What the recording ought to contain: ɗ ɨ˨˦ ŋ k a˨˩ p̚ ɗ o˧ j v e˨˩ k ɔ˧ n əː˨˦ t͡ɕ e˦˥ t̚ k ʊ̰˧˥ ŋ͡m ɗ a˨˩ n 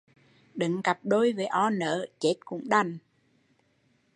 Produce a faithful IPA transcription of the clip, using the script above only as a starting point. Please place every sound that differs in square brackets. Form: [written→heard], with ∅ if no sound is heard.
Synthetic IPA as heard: ɗ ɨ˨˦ ŋ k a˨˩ p̚ ɗ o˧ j v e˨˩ [k→ʔ] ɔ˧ n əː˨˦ t͡ɕ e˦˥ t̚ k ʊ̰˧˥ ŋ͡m ɗ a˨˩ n